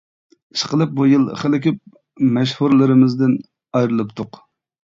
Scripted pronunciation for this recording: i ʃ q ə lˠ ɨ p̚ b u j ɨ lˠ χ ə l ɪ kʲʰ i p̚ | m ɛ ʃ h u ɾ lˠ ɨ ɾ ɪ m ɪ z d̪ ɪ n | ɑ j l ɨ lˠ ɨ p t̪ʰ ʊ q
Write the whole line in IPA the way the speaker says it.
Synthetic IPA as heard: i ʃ q ə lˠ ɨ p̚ b u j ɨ lˠ χ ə l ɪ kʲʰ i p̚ | m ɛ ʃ h u ɾ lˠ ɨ ɾ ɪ m ɪ z d̪ ɪ n | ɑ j ɾ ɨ lˠ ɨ p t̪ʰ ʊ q